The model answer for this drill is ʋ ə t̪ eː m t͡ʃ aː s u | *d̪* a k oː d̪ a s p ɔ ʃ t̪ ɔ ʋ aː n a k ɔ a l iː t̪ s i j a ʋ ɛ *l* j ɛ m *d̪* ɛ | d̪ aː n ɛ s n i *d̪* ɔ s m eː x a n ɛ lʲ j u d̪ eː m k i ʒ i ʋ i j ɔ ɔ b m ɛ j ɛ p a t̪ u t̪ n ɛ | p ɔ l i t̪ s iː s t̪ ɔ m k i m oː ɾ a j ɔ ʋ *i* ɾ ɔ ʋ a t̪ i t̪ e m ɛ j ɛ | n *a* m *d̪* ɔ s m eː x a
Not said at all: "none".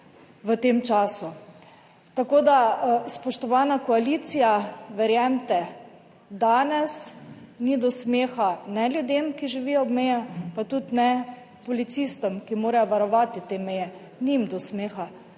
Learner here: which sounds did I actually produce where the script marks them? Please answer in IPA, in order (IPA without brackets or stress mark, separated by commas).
t̪, ɾ, t̪, d̪, a, i, d̪